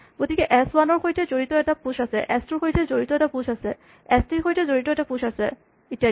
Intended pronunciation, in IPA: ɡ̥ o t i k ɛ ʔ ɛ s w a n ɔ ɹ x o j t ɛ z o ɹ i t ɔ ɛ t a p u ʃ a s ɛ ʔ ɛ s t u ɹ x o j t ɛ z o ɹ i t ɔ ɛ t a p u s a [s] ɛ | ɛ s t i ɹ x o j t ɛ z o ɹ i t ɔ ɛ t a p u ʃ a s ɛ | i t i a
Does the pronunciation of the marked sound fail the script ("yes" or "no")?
no